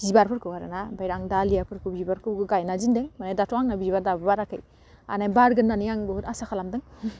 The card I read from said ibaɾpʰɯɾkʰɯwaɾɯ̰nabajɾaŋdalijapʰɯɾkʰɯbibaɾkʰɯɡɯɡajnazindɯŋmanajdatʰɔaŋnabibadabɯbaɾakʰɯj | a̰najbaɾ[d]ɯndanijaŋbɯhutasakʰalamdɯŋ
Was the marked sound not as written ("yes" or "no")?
yes